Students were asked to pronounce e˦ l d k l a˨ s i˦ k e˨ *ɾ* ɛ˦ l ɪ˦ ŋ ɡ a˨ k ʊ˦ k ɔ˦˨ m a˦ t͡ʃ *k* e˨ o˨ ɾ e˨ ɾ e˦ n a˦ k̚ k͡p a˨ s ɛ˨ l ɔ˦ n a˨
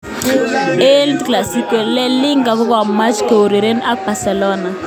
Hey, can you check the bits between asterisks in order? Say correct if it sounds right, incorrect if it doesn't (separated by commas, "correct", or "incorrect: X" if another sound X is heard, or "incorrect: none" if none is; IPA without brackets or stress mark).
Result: incorrect: l, correct